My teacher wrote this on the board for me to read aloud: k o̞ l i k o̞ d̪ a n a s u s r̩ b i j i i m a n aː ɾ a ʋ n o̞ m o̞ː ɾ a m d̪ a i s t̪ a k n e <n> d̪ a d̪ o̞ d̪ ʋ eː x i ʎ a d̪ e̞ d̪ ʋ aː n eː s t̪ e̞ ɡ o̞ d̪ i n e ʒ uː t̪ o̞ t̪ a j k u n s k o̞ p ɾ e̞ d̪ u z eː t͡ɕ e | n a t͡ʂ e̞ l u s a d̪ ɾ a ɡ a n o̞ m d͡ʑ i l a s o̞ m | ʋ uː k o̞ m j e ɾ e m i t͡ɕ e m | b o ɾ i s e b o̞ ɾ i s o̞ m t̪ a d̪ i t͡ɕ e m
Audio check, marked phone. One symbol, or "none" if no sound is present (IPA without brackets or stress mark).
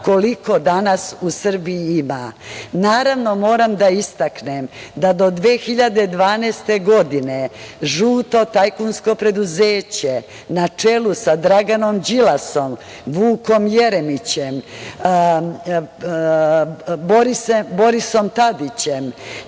m